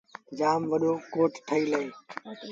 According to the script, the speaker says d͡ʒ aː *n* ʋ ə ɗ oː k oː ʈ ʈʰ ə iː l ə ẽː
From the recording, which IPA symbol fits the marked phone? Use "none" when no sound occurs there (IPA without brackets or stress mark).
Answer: m